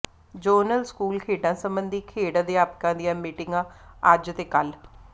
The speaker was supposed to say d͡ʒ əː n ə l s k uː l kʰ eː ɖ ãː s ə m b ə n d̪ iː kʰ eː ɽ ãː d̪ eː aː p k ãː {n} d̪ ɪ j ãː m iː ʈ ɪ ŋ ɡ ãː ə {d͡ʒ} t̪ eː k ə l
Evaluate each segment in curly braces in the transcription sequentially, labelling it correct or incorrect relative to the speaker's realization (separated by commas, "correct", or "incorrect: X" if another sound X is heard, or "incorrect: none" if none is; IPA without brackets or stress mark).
incorrect: none, correct